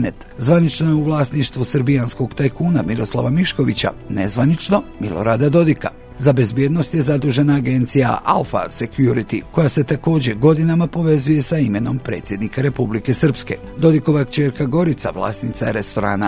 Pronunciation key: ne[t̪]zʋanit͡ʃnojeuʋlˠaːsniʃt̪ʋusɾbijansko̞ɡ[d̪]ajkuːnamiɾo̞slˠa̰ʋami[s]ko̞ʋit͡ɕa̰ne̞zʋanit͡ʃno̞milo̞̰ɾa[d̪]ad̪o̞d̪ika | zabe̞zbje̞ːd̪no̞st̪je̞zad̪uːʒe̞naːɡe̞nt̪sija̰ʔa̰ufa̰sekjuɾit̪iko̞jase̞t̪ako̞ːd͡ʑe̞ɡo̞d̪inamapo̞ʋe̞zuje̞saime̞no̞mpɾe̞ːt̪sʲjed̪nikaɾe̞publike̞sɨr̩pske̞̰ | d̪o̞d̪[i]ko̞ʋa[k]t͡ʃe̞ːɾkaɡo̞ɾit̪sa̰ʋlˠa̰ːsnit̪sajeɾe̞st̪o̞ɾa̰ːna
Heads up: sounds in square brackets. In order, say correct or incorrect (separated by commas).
correct, incorrect, incorrect, correct, correct, correct